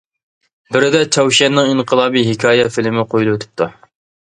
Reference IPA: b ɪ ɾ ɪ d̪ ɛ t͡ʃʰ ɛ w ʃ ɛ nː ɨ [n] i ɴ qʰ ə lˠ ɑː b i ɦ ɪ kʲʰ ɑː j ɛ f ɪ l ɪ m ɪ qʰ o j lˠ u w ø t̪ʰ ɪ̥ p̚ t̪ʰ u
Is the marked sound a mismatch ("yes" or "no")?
yes